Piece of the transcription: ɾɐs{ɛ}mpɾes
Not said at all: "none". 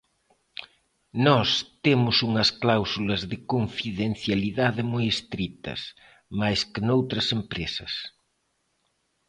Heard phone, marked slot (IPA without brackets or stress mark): e